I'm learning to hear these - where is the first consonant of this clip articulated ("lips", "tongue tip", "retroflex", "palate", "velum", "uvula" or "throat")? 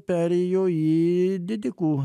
lips